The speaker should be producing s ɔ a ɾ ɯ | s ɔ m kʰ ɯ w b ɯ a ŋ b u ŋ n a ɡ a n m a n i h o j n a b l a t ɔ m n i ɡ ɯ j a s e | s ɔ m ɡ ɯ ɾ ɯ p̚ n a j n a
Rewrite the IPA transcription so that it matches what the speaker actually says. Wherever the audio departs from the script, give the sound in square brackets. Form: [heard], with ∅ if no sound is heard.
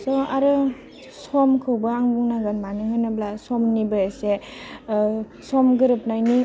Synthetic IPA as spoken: s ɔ a ɾ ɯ | s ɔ m kʰ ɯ w b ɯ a ŋ b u ŋ n a ɡ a n m a n i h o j n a b l a [s] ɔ m n i [b] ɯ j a s e | s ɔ m ɡ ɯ ɾ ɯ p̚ n a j n [i]